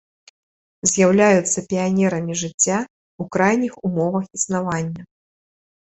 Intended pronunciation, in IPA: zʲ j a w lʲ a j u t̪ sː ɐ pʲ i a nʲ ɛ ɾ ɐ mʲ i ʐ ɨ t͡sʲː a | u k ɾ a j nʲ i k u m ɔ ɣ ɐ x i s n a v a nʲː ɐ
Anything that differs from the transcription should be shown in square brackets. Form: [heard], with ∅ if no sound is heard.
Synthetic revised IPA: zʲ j a w lʲ a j u t̪ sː ɐ pʲ i a nʲ ɛ ɾ ɐ mʲ i ʐ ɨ t͡sʲː a | u k ɾ a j nʲ i [x] u m ɔ [v] ɐ x i s n a v a nʲː ɐ